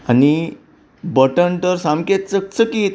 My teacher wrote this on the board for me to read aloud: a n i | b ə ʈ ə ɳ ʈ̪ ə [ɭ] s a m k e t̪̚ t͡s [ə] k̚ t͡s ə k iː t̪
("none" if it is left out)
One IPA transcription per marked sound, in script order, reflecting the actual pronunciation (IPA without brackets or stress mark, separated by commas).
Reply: ɾ, ə